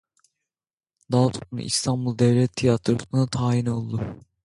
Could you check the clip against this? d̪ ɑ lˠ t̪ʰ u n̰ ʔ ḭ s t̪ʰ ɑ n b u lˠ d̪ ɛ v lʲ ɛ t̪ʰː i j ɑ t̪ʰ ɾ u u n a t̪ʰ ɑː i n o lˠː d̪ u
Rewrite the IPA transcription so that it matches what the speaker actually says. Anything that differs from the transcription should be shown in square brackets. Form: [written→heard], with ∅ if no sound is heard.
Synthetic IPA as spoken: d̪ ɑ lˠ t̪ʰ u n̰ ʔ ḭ s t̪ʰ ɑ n b u lˠ d̪ ɛ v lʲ ɛ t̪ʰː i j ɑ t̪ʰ ɾ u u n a t̪ʰ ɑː i n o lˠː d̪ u

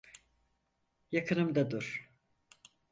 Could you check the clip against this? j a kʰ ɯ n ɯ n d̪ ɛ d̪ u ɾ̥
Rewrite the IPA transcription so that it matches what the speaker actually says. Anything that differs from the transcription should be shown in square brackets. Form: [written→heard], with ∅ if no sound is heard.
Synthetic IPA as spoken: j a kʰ ɯ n ɯ [n→m] d̪ [ɛ→a] d̪ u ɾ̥

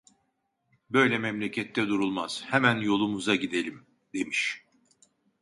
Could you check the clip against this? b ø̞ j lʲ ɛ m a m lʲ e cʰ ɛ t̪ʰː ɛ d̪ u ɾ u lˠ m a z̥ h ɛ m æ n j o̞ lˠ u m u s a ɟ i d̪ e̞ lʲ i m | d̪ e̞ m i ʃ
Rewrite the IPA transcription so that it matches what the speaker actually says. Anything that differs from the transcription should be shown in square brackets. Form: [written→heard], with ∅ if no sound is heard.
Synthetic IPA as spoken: b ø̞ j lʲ ɛ m [a→ɛ] m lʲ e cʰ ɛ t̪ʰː ɛ d̪ u ɾ u lˠ m a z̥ h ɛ m æ n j o̞ lˠ u m u [s→z] a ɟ i d̪ e̞ lʲ i m | d̪ e̞ m i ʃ

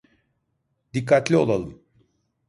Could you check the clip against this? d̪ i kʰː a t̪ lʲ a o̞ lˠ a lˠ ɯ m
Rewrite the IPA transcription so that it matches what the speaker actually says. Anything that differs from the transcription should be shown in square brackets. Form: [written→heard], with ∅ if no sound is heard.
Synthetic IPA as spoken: d̪ i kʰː a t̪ lʲ [a→i] o̞ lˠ a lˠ ɯ m

